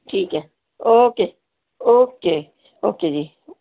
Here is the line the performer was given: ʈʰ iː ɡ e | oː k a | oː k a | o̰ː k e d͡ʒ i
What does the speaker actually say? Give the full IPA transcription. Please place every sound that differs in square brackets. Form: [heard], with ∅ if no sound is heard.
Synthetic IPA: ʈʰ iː [k] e | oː k [e] | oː k [e] | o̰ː k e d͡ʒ i